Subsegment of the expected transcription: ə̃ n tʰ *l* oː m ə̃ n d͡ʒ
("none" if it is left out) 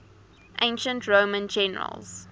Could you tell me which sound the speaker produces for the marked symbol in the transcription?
ɹ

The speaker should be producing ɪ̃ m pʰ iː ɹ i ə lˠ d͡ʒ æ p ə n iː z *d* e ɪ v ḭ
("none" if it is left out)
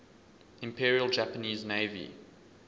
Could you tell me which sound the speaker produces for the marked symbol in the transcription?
n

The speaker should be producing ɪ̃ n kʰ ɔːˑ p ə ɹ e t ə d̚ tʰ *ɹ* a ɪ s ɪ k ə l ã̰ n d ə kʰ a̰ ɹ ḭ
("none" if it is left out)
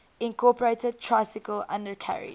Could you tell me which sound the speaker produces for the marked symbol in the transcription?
ɹ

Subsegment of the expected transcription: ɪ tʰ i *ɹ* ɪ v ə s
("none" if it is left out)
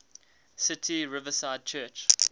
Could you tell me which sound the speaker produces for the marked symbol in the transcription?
ɹ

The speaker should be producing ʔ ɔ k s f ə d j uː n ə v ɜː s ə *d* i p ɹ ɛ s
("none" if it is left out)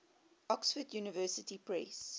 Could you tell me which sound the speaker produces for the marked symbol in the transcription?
t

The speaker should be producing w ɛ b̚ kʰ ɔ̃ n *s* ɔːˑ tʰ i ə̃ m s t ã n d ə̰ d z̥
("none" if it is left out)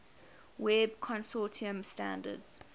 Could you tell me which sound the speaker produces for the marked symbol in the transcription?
s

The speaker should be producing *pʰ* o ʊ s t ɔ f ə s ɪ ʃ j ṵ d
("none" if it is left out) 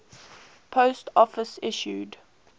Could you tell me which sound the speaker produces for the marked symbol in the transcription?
pʰ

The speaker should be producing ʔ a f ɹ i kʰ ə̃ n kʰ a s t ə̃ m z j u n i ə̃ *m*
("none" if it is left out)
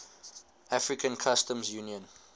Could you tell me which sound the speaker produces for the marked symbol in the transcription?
n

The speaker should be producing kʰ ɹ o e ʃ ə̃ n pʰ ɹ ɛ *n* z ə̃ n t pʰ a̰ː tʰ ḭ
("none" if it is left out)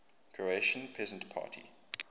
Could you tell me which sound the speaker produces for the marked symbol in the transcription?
none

